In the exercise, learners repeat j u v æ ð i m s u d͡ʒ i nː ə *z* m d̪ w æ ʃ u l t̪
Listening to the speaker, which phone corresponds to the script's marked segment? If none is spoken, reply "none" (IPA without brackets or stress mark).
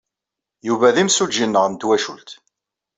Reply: ʁ